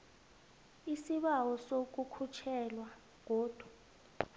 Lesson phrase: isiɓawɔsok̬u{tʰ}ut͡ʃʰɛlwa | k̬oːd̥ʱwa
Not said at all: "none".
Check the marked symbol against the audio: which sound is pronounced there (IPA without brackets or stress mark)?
kʰ